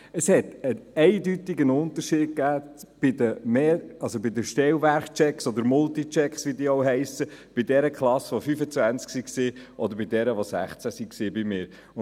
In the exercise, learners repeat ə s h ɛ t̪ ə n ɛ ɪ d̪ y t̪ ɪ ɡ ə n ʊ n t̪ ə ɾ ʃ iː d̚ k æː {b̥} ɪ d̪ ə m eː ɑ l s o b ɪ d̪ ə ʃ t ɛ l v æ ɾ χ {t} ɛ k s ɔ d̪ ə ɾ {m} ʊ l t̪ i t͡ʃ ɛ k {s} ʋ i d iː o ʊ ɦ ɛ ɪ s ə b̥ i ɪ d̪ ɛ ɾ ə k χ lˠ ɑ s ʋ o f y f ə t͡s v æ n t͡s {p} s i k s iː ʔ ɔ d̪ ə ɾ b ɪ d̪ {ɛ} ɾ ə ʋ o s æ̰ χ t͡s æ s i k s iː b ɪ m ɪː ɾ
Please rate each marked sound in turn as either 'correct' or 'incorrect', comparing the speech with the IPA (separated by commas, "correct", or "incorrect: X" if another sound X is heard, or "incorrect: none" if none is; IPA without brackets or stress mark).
correct, incorrect: t͡ʃ, correct, correct, incorrect: k, correct